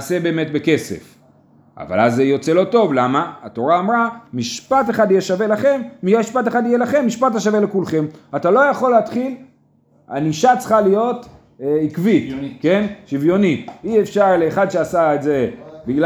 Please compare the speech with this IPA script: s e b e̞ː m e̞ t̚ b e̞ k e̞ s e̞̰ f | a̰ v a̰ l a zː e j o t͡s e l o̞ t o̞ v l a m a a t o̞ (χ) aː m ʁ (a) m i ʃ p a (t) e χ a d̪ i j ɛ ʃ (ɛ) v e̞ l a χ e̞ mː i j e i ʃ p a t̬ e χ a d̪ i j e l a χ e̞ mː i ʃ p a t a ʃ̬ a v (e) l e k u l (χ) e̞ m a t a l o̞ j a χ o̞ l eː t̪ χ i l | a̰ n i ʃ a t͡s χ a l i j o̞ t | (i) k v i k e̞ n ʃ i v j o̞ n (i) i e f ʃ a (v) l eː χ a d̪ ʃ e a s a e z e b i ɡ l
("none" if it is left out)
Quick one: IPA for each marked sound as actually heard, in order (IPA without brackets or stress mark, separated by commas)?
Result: ʁ, a, t, a, e, χ, i, i, ʁ